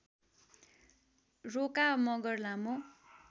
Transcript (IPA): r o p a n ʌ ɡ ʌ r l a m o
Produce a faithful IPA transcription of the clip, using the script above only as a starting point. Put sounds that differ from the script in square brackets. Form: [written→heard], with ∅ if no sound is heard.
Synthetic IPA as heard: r o [p→k] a [n→m] ʌ ɡ ʌ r l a m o